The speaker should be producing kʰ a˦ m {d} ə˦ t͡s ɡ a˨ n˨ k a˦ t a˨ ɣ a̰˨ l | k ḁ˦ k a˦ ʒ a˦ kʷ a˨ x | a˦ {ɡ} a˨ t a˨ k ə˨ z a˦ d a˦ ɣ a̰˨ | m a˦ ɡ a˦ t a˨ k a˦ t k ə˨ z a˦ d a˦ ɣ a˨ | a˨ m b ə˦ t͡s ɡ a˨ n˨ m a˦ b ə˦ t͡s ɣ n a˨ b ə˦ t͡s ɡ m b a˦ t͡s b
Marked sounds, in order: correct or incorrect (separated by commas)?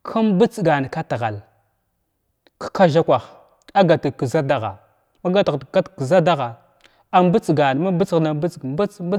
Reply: incorrect, correct